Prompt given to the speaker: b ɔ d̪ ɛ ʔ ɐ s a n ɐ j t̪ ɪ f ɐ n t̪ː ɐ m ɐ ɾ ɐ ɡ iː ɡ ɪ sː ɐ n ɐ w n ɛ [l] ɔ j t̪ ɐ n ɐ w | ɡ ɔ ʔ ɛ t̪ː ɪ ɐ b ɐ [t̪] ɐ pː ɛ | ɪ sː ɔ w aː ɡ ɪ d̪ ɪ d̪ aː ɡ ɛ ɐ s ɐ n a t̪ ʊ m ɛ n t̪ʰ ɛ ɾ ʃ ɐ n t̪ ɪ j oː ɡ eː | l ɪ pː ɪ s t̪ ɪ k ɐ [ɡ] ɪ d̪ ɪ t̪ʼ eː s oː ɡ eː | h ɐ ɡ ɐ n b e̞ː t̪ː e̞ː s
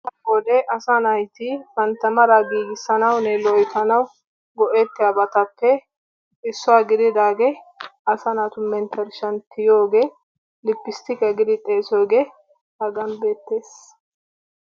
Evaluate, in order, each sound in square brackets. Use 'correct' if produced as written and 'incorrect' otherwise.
correct, correct, correct

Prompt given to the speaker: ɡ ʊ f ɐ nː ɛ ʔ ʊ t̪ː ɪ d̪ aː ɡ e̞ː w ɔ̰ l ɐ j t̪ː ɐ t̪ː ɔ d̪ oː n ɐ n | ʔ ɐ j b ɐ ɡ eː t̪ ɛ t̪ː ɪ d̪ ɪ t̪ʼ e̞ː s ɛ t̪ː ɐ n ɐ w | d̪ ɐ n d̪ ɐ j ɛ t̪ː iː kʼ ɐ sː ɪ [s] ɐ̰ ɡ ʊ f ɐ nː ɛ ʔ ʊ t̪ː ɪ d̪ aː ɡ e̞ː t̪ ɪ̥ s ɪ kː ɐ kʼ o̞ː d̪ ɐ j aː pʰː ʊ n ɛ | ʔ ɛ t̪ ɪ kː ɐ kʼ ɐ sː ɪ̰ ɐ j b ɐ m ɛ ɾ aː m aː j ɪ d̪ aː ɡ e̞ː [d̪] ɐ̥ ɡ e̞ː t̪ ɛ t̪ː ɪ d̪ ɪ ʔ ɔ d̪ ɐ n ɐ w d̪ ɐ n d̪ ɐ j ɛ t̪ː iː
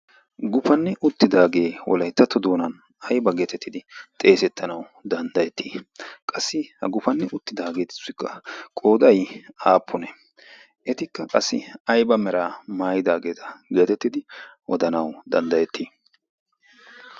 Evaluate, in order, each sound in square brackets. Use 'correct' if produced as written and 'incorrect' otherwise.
incorrect, incorrect

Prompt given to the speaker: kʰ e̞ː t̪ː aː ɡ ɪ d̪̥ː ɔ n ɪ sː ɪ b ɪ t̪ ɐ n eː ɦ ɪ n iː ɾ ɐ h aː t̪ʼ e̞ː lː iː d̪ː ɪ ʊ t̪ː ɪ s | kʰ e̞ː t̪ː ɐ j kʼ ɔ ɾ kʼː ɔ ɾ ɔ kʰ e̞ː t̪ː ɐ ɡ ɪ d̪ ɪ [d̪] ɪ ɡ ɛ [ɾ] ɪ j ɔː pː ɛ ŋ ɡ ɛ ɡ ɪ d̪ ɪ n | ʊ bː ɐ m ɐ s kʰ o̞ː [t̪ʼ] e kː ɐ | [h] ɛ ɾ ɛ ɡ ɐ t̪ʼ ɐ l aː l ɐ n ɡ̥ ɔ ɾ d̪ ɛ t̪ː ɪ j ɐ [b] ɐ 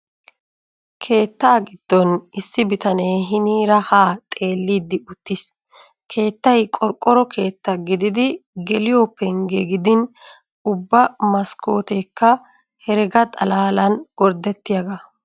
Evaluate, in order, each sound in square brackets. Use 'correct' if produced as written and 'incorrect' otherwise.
correct, incorrect, incorrect, correct, incorrect

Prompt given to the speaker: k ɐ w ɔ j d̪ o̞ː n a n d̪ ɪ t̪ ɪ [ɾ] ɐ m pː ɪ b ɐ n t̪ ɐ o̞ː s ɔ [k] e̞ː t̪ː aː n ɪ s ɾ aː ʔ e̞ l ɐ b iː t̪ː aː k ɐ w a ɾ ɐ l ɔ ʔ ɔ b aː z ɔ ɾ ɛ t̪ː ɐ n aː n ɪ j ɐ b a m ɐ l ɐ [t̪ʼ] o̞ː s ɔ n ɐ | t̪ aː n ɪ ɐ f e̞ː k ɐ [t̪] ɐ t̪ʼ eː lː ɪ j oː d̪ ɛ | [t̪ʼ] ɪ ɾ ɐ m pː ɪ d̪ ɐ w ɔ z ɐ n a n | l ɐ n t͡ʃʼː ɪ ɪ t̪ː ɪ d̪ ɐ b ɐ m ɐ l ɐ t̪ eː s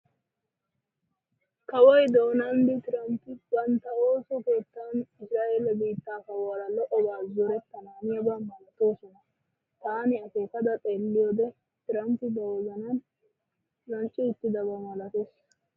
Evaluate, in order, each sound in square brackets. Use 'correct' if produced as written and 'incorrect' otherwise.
correct, correct, incorrect, incorrect, incorrect

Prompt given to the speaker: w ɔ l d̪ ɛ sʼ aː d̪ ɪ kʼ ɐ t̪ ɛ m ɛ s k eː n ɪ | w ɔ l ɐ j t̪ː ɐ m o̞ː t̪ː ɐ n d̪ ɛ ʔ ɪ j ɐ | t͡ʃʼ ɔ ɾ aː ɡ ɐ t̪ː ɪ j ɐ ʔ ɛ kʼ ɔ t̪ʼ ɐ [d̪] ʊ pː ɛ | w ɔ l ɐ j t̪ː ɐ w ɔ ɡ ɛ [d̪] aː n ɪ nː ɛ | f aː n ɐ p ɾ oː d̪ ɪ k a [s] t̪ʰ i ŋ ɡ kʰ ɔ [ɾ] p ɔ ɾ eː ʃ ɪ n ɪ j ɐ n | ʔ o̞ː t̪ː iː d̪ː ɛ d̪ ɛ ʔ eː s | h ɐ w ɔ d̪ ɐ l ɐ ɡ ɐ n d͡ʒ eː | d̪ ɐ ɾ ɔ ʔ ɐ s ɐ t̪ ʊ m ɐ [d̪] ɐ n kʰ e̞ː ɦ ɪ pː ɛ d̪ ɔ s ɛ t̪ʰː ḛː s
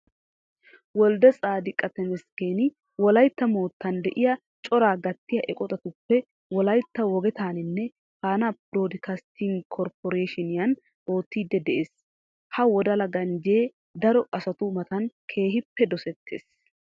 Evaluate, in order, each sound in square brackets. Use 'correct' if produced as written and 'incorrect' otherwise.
incorrect, incorrect, correct, correct, incorrect

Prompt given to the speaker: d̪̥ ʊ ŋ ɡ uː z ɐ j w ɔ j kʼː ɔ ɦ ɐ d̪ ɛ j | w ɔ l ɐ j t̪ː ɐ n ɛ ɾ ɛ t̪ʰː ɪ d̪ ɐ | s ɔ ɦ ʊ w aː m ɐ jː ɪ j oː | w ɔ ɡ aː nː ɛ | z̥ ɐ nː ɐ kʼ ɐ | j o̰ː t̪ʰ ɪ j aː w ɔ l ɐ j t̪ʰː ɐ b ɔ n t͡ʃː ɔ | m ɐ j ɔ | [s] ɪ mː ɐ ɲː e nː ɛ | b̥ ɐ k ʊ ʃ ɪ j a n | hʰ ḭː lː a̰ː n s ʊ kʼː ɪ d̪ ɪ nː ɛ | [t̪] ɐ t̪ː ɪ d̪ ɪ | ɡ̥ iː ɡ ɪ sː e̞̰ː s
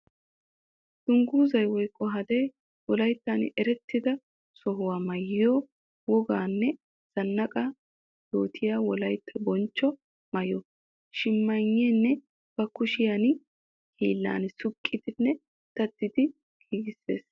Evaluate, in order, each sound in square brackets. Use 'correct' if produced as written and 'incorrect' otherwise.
incorrect, correct

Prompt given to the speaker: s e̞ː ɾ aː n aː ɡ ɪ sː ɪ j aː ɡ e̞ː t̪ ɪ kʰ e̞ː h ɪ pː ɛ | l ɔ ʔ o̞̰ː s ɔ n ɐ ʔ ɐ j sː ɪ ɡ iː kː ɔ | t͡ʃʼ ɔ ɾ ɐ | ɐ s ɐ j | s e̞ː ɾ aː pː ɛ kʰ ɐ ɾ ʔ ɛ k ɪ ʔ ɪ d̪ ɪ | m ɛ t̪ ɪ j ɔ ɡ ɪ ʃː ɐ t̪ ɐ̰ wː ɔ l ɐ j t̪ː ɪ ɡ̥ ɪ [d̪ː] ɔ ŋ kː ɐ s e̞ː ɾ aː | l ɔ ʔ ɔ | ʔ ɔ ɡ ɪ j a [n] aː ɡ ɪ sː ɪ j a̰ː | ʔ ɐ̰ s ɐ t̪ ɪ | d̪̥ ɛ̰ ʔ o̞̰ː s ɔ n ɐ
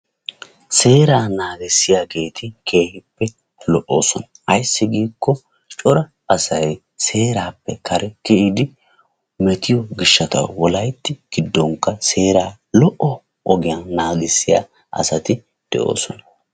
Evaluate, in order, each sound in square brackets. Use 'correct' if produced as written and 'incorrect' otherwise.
correct, correct

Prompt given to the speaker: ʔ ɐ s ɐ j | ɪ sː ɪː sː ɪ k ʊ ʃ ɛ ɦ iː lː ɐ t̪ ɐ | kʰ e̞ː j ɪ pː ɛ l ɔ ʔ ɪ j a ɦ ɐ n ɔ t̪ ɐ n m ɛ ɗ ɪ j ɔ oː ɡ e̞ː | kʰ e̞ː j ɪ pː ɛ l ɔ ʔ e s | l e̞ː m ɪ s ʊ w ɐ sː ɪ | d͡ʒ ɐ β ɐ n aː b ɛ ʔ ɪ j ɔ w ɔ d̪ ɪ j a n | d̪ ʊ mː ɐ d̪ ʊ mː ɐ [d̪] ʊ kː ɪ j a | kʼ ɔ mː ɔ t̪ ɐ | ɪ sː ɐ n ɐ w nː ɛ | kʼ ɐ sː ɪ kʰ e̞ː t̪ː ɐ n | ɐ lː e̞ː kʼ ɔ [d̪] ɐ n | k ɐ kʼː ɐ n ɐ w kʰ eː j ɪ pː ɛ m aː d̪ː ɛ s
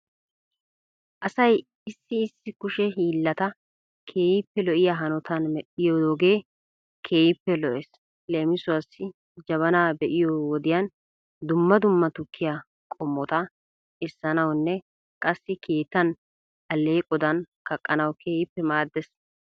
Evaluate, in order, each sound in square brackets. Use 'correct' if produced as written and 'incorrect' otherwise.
incorrect, correct

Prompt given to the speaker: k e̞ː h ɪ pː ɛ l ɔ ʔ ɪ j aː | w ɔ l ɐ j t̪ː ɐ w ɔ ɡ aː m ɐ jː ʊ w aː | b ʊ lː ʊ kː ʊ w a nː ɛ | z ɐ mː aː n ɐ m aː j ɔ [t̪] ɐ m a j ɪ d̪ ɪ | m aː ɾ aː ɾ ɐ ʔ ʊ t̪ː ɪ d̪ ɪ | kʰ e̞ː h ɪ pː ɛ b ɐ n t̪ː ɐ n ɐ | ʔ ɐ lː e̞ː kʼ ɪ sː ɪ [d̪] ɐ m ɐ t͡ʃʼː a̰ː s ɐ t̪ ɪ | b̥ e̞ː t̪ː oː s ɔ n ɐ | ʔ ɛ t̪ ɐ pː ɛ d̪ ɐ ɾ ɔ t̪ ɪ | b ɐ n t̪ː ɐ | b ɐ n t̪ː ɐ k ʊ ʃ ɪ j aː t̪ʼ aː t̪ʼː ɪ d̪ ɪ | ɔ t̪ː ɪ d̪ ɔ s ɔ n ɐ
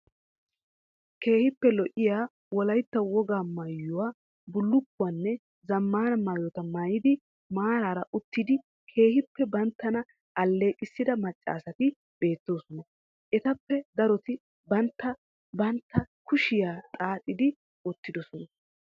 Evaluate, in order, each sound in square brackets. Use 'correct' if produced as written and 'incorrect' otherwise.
correct, correct

